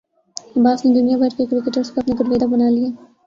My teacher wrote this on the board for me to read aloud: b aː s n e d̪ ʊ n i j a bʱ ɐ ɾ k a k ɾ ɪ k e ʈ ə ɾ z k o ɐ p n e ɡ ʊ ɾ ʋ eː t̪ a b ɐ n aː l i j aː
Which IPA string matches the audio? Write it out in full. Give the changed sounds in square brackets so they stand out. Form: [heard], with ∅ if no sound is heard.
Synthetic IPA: b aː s n e d̪ ʊ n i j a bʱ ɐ ɾ k [e] k ɾ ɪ k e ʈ ə ɾ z k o ɐ p n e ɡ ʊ ɾ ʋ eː [d̪] a b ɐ n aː l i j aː

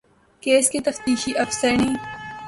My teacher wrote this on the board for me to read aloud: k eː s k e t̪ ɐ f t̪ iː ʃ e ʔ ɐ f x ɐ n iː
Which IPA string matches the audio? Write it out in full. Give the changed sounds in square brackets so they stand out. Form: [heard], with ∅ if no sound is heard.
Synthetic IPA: k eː s k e t̪ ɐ f t̪ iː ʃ [i] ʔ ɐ f [s] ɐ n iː

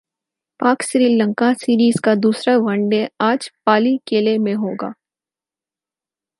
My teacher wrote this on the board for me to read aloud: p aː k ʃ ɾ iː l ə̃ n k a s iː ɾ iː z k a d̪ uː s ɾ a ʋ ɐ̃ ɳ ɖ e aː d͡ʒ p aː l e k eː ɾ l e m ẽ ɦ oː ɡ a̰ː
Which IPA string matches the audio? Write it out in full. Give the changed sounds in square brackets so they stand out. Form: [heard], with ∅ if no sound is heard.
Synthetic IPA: p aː k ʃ ɾ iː l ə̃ [ŋ] k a s iː ɾ iː z k a d̪ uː s ɾ a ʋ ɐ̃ ɳ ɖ e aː d͡ʒ p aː l [i] k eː [∅] l e m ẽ ɦ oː ɡ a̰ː

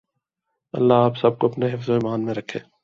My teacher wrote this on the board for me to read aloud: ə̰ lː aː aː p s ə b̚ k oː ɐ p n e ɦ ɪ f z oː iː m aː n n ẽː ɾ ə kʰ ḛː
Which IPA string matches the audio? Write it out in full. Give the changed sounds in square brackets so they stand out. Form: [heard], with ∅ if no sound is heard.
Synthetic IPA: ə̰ lː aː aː p s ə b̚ k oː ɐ p n e ɦ ɪ f z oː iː m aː n [m] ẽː ɾ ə kʰ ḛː

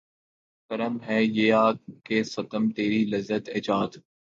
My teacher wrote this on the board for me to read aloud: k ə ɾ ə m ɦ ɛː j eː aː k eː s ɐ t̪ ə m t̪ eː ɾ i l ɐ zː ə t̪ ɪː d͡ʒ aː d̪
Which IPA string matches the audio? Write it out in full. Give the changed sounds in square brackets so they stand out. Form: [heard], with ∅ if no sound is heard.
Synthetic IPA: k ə ɾ ə m ɦ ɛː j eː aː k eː s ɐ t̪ ə m t̪ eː ɾ i l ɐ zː ə t̪ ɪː d͡ʒ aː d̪

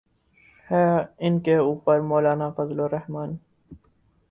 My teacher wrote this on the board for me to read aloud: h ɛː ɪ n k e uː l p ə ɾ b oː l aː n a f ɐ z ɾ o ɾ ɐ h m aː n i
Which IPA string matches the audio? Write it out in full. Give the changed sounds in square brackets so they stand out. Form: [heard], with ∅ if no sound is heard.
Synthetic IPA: h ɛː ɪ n k e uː [∅] p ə ɾ [m] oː l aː n a f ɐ z [l] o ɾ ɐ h m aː n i

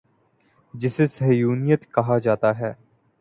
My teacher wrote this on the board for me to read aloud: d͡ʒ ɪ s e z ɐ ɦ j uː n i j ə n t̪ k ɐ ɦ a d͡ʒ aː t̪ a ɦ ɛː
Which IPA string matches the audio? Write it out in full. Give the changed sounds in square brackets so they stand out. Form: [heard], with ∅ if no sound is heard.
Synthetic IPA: d͡ʒ ɪ s e [s] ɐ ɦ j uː n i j ə [∅] t̪ k ɐ ɦ a d͡ʒ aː t̪ a ɦ ɛː

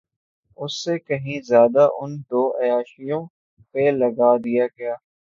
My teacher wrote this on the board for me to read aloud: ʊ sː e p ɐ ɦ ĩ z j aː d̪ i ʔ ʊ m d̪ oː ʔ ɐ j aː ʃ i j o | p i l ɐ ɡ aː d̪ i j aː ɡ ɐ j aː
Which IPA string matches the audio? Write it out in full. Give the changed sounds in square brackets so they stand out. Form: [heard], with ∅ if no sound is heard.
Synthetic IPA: ʊ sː e [k] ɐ ɦ ĩ z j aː d̪ [a] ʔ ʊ [n] d̪ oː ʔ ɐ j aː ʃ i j [õ] | p [e] l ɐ ɡ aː d̪ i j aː ɡ ɐ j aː

